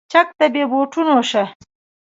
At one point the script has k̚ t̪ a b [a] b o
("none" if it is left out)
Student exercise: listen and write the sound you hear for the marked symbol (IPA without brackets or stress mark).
e